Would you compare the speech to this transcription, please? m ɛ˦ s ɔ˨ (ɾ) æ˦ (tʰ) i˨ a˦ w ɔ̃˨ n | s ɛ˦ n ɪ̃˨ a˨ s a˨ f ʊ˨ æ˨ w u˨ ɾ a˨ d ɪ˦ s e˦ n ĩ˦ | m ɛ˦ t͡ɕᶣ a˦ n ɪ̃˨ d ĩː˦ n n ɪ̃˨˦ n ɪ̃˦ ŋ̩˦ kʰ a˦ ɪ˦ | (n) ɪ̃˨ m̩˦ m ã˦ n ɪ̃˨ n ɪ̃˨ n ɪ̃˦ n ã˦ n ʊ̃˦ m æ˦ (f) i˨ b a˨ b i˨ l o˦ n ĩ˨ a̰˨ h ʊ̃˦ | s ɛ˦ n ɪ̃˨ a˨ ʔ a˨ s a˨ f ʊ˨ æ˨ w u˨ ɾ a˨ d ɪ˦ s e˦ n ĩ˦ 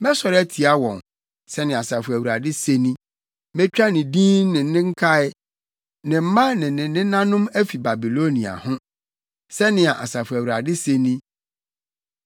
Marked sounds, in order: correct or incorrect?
correct, correct, correct, correct

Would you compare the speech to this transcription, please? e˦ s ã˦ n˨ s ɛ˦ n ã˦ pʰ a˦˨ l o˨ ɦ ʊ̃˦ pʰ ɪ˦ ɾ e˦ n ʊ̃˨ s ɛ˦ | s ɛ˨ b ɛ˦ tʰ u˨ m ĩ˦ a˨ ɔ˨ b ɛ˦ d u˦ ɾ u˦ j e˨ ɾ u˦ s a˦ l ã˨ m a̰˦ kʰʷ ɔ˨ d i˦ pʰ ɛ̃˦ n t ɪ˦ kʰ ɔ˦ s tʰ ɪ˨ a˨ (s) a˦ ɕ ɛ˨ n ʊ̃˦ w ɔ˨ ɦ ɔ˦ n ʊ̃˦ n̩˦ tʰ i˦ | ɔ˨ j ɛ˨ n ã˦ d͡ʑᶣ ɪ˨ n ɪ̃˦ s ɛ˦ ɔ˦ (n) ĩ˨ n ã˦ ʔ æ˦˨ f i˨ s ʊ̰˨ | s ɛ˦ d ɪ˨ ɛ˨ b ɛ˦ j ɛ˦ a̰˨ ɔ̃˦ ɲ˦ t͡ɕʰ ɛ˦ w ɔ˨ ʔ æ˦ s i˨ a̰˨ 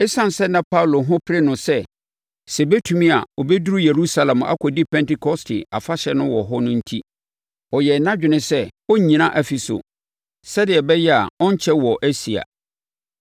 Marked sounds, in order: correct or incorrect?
incorrect, incorrect

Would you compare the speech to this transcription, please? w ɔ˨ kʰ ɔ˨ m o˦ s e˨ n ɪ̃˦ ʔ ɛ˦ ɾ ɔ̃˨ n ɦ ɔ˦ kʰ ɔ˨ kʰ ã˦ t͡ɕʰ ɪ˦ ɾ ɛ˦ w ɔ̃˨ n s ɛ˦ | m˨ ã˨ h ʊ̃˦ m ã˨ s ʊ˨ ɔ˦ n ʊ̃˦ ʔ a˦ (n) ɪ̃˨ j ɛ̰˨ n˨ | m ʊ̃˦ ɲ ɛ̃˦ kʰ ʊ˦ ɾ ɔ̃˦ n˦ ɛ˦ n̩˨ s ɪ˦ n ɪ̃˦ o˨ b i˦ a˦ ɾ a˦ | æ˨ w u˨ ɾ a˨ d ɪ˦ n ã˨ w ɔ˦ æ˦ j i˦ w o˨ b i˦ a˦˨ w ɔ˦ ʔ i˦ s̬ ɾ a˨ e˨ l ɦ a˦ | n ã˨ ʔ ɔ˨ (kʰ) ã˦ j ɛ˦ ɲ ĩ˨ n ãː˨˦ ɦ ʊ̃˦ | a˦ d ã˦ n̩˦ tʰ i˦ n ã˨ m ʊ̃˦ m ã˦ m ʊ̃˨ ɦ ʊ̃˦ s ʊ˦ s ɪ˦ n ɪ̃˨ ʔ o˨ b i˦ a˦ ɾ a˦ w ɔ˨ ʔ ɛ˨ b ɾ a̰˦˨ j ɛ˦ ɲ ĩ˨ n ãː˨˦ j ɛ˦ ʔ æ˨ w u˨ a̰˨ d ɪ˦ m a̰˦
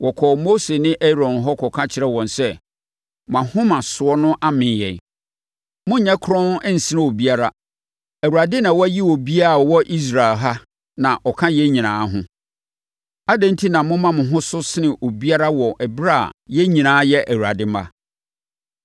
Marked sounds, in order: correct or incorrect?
incorrect, correct

